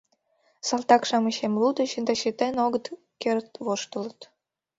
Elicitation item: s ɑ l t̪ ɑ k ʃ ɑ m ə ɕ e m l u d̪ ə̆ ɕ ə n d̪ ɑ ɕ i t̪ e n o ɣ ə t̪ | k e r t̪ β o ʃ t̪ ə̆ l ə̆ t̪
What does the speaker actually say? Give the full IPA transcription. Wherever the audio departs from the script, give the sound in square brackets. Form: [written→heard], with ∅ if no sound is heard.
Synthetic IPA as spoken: s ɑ l t̪ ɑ k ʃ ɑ m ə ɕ e m l u d̪ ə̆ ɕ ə n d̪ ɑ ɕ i t̪ e n o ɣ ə t̪ | k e r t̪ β o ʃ t̪ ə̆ l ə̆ t̪